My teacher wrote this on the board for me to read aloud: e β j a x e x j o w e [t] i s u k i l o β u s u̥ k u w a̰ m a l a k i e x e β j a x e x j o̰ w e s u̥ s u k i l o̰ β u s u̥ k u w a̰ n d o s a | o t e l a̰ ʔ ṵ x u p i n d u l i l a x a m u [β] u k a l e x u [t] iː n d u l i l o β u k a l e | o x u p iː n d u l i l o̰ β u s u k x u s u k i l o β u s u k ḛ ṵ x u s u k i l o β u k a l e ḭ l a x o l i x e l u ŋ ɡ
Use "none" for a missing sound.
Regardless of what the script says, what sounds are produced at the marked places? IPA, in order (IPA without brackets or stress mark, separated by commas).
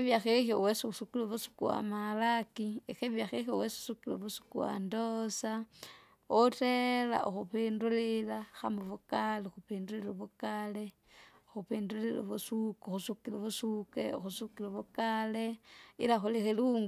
s, β, p